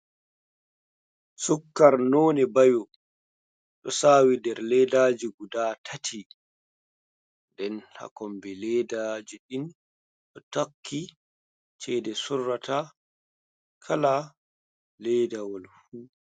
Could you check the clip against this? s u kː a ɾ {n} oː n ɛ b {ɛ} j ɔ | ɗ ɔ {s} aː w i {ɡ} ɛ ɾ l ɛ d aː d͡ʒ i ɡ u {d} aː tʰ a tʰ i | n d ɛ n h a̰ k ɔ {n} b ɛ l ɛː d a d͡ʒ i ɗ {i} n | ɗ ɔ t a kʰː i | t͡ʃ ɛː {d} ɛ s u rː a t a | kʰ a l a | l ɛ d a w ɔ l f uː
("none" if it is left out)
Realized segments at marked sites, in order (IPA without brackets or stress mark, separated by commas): n, a, s, d, d, m, i, d